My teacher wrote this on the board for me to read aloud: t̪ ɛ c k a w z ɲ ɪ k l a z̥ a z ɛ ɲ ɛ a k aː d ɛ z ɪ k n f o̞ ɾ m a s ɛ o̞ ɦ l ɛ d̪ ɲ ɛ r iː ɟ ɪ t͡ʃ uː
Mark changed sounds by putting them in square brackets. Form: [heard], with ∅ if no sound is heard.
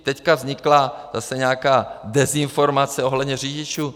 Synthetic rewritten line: t̪ ɛ c k a [v] z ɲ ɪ k l a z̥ a [s] ɛ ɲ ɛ a k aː d ɛ z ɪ [∅] n f o̞ ɾ m a [t͡s] ɛ o̞ ɦ l ɛ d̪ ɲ ɛ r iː ɟ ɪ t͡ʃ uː